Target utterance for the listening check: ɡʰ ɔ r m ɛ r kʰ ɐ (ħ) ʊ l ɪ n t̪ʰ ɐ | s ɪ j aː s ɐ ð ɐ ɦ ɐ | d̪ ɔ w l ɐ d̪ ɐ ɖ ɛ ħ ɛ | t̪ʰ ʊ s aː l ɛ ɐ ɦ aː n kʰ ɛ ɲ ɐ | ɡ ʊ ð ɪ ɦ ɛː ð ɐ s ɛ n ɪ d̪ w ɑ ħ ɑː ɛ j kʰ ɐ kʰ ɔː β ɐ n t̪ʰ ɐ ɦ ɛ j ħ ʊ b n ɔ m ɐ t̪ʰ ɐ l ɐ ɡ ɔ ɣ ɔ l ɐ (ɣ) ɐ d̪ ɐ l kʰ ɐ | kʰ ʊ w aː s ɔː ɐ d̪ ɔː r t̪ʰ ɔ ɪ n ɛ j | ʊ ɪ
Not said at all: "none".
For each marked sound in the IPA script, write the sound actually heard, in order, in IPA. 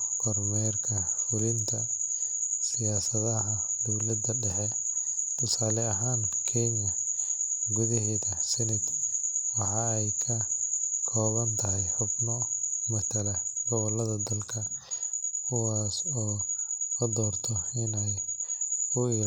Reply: f, ð

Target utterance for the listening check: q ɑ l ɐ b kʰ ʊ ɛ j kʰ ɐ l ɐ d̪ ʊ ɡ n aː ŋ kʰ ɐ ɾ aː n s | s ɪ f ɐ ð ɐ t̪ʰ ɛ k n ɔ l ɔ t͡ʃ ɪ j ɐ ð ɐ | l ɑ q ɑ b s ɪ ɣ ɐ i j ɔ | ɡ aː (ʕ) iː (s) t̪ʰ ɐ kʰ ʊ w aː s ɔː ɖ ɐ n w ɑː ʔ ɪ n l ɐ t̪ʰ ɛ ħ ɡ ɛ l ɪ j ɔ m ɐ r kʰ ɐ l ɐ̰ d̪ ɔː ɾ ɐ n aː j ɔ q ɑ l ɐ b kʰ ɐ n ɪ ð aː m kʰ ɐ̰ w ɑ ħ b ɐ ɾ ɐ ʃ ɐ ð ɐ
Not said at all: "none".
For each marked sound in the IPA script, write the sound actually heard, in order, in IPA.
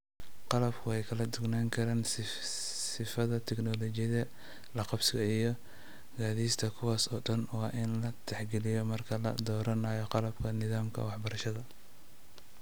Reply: ð, s

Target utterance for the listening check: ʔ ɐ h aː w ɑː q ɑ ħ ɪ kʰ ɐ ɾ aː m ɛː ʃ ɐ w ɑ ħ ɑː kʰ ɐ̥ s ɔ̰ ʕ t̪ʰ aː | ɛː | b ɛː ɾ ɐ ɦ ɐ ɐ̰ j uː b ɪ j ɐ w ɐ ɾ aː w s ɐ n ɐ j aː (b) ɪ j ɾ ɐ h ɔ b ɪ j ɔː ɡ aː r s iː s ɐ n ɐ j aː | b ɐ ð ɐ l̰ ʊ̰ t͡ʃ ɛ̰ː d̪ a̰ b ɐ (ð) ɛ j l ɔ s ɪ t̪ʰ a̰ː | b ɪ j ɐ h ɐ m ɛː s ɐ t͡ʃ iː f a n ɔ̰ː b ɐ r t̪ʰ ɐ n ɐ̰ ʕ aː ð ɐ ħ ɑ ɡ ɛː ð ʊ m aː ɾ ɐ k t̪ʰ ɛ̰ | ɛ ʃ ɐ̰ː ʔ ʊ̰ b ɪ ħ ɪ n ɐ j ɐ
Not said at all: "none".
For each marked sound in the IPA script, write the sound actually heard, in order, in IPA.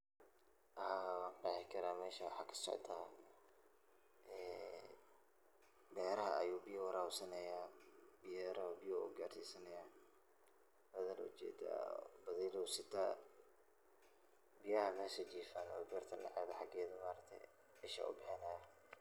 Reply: b, ð

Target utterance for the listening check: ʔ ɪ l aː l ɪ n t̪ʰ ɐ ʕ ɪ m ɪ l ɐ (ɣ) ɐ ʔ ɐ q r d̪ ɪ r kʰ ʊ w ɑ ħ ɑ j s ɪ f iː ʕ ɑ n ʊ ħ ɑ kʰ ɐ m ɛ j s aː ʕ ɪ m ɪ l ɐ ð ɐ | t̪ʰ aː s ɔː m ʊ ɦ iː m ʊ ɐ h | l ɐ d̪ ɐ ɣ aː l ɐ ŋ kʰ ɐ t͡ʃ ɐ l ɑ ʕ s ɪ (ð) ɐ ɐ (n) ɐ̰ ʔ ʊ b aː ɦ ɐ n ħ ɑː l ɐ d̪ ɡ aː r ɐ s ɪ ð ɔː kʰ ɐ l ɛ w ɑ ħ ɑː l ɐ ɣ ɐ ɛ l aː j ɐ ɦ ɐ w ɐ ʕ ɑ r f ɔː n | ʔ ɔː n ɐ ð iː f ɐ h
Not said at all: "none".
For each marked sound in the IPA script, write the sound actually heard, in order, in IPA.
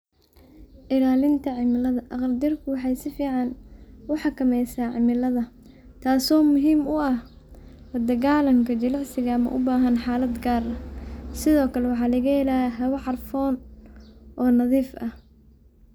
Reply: ð, ɣ, m

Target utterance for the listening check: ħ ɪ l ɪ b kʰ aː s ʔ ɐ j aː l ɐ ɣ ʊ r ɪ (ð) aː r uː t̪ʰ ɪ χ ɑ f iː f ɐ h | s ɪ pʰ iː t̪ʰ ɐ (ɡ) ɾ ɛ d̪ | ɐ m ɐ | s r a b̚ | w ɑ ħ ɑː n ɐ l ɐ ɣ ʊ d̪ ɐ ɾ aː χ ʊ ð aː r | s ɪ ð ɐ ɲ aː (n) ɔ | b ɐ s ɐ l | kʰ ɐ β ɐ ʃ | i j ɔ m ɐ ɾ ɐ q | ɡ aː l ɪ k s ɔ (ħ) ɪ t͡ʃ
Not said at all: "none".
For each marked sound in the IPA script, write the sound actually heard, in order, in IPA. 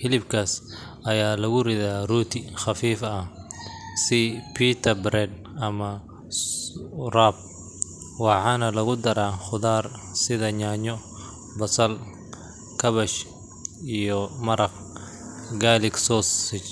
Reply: ð, b, ɲ, s

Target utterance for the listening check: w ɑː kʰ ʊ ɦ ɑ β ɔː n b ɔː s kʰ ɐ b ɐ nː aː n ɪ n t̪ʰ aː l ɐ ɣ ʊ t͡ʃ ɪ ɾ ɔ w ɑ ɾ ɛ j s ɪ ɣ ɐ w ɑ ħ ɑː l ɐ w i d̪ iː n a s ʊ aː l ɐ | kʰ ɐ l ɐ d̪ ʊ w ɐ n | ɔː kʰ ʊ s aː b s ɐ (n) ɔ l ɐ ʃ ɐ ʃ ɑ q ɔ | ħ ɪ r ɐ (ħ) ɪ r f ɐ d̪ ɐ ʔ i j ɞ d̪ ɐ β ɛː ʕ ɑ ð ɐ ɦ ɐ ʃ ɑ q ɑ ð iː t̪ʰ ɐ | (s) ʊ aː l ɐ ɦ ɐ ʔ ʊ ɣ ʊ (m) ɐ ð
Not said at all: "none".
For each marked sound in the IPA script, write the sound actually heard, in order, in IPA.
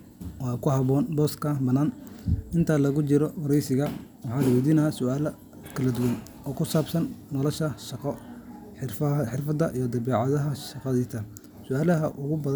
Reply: nː, ħ, s, b

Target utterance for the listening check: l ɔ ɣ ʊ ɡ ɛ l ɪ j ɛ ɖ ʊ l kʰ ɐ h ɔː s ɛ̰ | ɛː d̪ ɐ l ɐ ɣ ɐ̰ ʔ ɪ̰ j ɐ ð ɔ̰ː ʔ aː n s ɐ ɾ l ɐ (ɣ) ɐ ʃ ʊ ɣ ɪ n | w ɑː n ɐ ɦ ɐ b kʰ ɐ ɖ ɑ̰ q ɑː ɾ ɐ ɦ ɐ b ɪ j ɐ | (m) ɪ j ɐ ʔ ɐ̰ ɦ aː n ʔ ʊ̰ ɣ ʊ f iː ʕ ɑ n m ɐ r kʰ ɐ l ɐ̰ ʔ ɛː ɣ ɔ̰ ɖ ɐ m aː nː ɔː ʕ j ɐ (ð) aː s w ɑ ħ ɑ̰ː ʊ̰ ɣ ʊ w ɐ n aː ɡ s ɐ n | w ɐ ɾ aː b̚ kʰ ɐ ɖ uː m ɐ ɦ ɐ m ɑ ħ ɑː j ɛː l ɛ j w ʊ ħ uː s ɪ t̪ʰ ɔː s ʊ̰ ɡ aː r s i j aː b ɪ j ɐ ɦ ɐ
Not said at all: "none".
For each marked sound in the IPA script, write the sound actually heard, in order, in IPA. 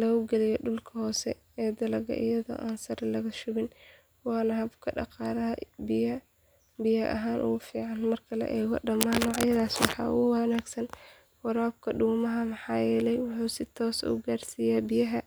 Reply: ɣ, b, ð

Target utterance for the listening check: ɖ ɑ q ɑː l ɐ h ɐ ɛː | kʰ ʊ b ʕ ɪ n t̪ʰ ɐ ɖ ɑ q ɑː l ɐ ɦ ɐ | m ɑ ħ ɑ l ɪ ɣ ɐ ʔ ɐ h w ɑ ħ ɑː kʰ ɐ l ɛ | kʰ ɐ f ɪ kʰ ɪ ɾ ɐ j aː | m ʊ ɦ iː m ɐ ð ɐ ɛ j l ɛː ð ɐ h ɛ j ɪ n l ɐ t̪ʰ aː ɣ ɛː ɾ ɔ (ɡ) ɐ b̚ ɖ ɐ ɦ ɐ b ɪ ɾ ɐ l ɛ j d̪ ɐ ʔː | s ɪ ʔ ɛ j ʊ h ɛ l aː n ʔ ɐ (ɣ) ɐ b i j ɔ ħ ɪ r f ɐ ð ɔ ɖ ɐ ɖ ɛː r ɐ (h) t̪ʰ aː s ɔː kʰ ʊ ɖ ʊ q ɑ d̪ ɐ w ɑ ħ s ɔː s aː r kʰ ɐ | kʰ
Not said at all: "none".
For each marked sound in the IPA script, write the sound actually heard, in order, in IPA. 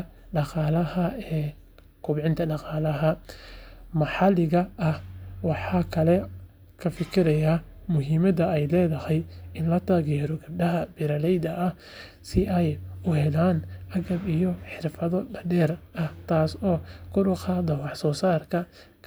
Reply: ɡ, ɣ, h

